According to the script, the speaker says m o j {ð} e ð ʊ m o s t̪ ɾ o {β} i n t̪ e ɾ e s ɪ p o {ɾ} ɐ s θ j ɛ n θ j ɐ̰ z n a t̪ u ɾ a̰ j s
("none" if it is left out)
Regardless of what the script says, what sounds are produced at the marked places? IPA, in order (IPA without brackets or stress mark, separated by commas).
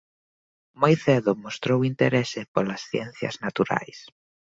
θ, w, l